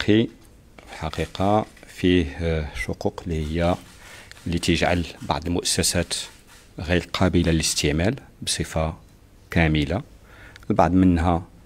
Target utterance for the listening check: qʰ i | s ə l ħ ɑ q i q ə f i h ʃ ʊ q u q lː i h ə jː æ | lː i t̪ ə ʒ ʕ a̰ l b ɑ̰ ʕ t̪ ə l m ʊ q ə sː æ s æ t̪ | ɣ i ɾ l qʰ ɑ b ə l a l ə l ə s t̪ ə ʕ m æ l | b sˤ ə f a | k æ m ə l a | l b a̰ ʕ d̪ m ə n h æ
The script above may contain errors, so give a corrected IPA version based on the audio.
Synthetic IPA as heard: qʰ i | f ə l ħ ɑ q i q ɑ f i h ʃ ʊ q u q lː i h ə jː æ | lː i t̪ ə ʒ ʕ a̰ l b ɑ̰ ʕ d̪ ə l m ʊ ʔ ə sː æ s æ t̪ | ɣ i ɾ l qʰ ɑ b ə l a l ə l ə s t̪ ə ʕ m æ l | b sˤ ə f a | k æ m ə l a | l b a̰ ʕ d̪ m ə n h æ